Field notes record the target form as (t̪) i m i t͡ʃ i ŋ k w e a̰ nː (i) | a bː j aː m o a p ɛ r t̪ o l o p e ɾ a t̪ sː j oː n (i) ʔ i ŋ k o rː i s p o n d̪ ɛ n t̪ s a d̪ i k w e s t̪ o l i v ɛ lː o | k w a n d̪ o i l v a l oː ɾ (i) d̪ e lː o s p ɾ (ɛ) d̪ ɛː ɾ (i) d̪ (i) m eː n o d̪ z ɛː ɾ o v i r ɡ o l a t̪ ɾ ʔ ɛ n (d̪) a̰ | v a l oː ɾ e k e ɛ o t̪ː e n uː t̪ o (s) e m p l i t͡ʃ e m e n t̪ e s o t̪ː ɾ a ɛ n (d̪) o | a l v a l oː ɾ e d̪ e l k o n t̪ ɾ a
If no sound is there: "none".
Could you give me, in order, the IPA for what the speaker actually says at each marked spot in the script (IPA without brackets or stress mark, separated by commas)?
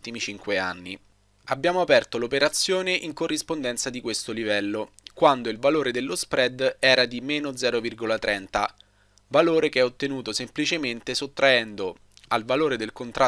t̪, i, e, e, ɛ, a, i, t̪, s, d̪